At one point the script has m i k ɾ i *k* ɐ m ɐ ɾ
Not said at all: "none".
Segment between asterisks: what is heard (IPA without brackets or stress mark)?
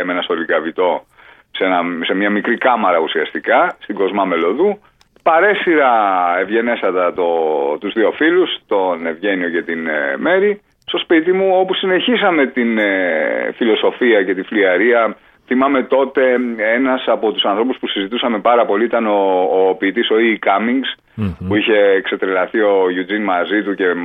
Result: k